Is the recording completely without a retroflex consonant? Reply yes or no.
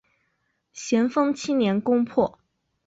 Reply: yes